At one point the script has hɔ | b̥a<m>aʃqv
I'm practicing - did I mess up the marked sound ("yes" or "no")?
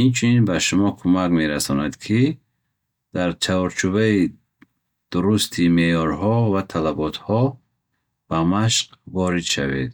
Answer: no